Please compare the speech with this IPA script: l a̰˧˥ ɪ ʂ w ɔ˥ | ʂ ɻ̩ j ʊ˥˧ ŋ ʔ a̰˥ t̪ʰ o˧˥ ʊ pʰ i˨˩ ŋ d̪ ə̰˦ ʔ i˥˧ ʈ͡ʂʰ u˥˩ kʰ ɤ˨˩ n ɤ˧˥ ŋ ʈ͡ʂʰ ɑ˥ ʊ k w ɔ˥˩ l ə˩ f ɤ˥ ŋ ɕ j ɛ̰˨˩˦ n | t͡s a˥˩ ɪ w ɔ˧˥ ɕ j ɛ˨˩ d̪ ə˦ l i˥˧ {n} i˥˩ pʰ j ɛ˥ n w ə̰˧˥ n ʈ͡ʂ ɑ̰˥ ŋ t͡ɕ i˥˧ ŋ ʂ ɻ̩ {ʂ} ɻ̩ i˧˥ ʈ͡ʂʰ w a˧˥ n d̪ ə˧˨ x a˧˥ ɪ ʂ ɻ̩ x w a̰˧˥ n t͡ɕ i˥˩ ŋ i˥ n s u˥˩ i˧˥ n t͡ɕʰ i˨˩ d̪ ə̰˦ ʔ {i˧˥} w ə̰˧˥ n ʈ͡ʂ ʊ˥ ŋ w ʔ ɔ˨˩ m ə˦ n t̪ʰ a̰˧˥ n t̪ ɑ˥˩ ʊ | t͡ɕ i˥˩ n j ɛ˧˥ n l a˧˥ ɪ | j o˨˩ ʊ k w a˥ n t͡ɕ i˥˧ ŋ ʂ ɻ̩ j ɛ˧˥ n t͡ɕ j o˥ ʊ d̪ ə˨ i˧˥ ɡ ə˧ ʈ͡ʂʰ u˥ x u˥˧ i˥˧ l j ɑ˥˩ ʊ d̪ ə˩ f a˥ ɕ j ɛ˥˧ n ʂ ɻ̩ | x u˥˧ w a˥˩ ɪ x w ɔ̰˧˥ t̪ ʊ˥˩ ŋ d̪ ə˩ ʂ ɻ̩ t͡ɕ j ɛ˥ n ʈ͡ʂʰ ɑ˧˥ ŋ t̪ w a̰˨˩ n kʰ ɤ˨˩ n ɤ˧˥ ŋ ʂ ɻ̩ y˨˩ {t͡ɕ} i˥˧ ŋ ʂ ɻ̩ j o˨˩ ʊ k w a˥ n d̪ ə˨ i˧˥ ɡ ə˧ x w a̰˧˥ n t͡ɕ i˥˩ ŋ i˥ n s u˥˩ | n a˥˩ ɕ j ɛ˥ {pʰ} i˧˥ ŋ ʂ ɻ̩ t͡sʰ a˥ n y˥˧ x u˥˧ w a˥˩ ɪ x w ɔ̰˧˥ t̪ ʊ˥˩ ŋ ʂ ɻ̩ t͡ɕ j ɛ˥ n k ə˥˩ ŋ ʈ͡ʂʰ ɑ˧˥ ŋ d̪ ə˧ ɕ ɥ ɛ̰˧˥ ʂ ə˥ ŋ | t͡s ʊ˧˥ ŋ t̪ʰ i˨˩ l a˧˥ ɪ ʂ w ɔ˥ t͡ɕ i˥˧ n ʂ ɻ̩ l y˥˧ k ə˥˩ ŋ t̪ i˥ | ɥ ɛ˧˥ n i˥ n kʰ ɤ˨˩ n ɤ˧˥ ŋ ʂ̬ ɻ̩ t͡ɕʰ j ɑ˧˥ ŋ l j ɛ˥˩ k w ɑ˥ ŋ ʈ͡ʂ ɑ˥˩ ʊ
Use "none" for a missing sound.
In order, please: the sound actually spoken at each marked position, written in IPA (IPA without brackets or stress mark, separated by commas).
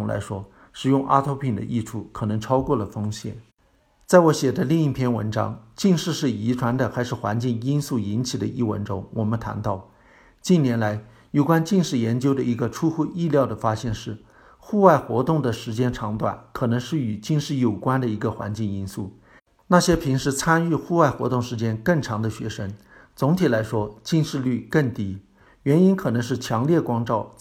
ŋ, ʂ, i˥˩, t͡ɕ, pʰ